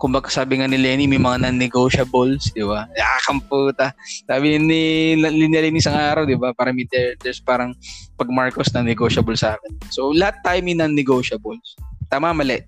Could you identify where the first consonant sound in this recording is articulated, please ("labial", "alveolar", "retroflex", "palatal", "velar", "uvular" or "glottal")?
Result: velar